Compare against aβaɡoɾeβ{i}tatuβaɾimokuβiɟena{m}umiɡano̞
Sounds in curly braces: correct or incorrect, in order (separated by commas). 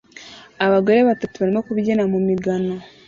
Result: incorrect, correct